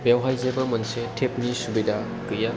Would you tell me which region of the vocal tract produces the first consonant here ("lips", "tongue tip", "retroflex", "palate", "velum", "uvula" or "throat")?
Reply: lips